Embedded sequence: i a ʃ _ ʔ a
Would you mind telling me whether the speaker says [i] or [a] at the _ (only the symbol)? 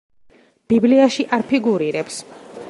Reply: i